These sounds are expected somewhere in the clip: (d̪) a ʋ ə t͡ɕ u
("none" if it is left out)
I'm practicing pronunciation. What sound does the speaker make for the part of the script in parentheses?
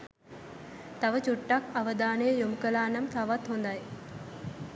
t̪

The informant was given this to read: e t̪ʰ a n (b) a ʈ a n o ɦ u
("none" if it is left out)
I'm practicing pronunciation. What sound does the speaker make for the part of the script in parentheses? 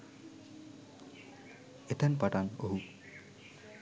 p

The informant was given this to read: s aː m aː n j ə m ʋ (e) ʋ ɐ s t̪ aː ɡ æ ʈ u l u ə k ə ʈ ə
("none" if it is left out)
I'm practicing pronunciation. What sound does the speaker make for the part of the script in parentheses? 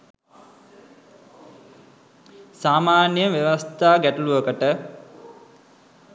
e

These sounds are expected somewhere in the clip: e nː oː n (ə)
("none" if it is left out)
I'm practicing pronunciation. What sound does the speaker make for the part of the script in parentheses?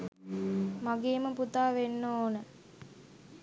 ə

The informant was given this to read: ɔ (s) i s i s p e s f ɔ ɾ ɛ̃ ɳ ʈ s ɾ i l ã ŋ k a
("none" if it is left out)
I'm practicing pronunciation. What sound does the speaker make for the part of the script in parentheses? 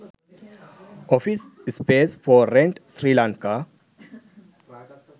f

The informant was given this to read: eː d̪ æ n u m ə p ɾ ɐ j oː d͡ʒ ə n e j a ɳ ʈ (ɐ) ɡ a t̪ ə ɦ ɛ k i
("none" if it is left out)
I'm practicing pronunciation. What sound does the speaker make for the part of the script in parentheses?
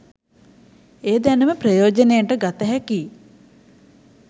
ə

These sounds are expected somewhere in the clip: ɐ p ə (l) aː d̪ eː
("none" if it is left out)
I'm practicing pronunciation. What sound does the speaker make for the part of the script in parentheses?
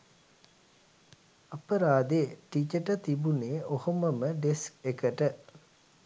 ɾ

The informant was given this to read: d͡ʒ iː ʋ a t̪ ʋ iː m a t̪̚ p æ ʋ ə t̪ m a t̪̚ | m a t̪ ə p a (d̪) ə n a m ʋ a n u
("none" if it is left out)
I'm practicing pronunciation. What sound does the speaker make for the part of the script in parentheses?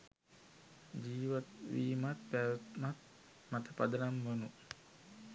d̪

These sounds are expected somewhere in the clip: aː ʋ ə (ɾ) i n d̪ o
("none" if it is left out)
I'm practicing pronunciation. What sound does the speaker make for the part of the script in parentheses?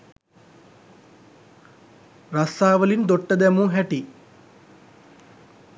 l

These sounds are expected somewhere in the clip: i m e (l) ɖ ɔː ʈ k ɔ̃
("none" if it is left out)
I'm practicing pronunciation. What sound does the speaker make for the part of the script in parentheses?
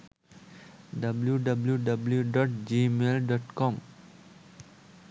l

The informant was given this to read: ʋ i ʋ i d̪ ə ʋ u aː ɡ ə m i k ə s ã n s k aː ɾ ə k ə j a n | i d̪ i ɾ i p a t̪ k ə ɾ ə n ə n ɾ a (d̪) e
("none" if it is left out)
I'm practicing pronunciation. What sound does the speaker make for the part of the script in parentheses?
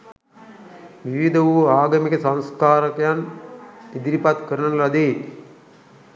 d̪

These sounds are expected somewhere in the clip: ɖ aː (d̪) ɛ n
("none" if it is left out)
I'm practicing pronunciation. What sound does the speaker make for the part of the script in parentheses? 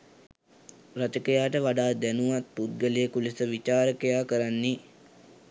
d̪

